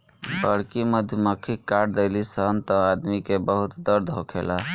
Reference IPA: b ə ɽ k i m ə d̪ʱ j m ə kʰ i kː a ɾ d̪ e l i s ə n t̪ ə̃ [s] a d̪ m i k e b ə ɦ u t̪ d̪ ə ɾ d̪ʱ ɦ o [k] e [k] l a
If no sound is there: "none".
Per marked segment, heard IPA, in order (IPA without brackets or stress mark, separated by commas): none, kʰ, none